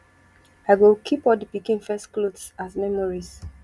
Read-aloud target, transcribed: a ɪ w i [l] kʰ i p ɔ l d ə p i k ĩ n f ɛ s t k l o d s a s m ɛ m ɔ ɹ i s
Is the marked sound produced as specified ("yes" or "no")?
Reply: yes